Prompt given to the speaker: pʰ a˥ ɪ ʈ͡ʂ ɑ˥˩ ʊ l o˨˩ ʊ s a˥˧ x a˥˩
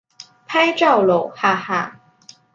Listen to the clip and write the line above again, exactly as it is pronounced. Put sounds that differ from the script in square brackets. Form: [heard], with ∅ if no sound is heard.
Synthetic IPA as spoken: pʰ a˥ ɪ ʈ͡ʂ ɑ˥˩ ʊ l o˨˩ ʊ [x] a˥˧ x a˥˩